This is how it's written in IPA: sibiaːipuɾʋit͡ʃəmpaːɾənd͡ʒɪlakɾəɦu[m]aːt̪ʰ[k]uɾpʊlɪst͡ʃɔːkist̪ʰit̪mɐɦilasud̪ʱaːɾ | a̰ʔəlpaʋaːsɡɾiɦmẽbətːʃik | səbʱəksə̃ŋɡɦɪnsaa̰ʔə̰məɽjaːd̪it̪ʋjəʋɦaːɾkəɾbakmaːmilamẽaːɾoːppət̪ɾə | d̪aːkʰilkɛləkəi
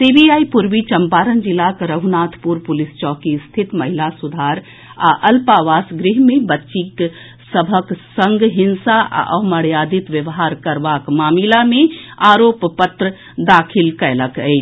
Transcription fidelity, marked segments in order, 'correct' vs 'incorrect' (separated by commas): incorrect, incorrect